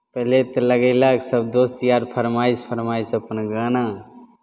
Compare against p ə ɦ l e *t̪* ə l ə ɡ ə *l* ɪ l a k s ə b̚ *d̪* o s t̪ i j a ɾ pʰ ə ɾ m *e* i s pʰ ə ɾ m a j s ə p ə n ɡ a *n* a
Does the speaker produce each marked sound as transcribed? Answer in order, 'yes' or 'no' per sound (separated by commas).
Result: yes, no, yes, no, yes